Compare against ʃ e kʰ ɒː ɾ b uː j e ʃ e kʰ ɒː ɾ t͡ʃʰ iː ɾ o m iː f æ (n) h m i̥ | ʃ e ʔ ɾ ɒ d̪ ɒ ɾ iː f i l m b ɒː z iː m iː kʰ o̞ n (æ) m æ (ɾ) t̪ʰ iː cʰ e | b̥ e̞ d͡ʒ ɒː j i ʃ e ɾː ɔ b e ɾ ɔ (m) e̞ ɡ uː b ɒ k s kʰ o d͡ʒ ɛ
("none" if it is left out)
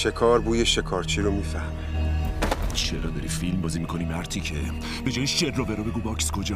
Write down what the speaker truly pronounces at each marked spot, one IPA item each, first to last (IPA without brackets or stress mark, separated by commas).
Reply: none, i, ɾ, b